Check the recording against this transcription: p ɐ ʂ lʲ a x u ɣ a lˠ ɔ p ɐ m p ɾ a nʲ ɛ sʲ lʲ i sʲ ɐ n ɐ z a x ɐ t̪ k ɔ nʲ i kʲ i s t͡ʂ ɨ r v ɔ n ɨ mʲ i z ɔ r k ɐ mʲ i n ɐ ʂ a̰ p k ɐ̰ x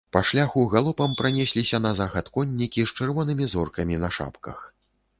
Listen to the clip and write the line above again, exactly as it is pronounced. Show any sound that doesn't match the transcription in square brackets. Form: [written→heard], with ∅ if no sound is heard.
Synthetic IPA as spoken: p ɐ ʂ lʲ a x u ɣ a lˠ ɔ p ɐ m p ɾ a nʲ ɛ sʲ lʲ i sʲ ɐ n ɐ z a x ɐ t̪ k ɔ [nʲ→nʲː] i kʲ i s t͡ʂ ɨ r v ɔ n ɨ mʲ i z ɔ r k ɐ mʲ i n ɐ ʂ a̰ p k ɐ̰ x